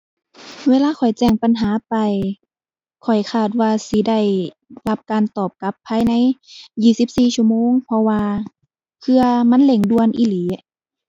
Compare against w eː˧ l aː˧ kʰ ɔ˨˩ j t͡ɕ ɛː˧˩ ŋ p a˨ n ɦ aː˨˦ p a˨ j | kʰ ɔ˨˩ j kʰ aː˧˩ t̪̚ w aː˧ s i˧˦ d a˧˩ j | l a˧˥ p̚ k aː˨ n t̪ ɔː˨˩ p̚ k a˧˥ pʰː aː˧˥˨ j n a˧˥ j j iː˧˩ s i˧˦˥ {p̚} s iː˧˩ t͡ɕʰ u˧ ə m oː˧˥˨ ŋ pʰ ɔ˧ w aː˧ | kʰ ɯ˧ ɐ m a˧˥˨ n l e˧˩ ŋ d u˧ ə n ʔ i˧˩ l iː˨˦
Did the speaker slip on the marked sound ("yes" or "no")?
no